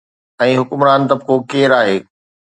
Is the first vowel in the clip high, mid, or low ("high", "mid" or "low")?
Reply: mid